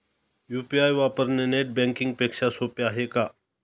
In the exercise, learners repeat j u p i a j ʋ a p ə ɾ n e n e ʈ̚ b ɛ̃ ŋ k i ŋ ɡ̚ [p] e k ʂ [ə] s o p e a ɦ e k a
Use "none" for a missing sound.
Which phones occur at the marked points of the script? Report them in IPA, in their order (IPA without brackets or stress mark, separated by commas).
p, a